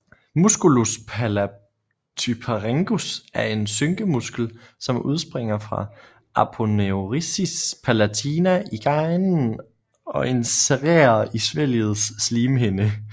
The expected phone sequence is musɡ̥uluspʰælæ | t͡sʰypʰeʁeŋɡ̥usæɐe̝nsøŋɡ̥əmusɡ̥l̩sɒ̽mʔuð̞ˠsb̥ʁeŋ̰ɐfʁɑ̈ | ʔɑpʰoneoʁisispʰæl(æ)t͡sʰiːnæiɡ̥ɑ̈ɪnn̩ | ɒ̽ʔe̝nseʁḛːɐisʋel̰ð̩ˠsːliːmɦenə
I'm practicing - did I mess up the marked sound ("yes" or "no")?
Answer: no